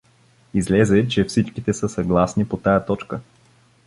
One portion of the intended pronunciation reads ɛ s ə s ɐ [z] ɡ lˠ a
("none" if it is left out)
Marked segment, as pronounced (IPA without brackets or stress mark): none